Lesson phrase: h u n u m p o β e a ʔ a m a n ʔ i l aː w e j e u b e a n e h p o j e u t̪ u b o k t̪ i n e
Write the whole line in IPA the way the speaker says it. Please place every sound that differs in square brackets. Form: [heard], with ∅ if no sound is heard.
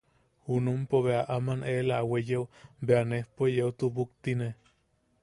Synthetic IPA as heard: h u n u m p o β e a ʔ a m a n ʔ [e] l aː w e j e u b e a n e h p o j e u t̪ u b [u] k t̪ i n e